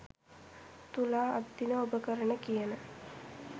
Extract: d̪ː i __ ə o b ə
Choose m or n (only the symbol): n